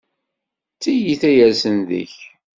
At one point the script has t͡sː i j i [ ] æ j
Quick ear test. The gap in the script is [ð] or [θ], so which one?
θ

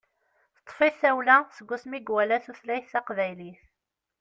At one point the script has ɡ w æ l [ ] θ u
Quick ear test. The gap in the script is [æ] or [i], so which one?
æ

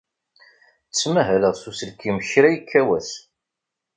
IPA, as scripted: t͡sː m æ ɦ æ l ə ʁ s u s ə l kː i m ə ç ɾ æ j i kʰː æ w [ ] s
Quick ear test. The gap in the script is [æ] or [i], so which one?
æ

